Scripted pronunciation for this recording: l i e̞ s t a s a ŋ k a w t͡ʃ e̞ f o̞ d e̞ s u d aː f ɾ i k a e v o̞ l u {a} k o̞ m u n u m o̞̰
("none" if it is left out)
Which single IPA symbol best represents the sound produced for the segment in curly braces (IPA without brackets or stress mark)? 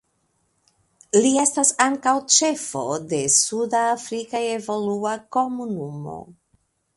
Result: a